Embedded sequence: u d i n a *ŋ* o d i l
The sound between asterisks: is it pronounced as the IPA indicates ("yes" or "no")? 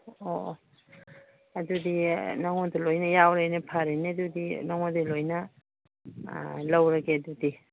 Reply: yes